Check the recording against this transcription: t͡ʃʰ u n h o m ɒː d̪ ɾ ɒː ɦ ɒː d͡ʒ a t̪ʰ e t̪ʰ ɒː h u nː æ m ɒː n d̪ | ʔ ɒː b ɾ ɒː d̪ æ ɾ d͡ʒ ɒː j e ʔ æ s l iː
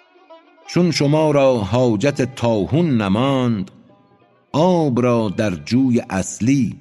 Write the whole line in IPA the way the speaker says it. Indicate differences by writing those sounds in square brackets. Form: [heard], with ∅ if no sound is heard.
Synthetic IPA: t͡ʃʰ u n [ʃ] o m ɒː [∅] ɾ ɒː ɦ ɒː d͡ʒ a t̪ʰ e t̪ʰ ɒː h u nː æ m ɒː n d̪ | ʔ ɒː b ɾ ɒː d̪ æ ɾ d͡ʒ [uː] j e ʔ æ s l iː